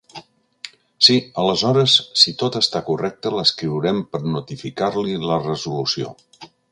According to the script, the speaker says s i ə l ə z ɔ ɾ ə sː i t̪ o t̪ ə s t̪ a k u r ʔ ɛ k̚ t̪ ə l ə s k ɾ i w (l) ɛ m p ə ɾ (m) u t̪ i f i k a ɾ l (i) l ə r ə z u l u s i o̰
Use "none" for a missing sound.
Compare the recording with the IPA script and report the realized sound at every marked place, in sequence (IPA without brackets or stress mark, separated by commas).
ɾ, n, i